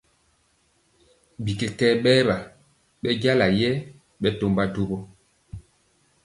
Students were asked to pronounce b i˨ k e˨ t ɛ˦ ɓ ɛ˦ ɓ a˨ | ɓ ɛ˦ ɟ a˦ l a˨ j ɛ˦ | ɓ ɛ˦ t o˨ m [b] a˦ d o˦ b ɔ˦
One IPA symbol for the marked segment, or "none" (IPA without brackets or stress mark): b